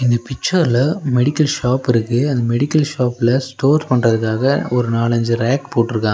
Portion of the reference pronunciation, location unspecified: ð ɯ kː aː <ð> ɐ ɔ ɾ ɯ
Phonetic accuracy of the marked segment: incorrect: ɣ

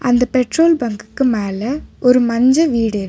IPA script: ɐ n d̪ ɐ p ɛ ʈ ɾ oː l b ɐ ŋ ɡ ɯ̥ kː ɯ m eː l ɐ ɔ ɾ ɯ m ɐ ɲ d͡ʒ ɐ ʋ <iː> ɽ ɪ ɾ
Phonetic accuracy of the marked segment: correct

